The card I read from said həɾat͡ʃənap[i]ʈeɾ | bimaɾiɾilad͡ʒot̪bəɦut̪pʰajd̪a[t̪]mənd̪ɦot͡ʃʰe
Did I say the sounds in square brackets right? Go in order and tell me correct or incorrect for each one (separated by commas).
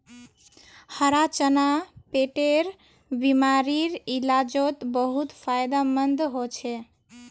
incorrect, incorrect